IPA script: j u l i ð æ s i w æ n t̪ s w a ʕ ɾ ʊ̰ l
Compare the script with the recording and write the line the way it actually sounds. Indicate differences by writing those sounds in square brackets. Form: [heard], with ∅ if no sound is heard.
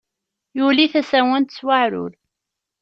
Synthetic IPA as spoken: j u l i [θ] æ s [æ] w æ n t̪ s w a ʕ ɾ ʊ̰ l